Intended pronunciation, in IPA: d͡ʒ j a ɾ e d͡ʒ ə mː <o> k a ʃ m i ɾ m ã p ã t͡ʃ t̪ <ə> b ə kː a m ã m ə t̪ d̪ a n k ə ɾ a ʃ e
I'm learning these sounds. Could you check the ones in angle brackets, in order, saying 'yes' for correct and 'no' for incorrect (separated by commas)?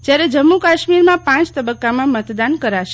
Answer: no, yes